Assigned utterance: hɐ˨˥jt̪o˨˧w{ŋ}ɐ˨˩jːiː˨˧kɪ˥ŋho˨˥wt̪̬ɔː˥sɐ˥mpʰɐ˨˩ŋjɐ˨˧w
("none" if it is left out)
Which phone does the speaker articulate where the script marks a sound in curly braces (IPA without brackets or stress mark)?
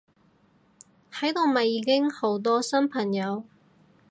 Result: m